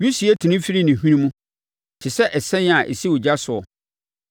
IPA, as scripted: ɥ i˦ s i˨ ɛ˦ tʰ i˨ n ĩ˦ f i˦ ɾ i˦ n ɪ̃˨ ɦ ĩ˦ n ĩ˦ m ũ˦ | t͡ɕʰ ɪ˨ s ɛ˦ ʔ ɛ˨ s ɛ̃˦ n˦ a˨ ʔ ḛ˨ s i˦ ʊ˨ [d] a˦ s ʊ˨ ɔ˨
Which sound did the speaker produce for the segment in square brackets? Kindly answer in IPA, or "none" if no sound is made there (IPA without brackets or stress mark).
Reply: d͡ʑ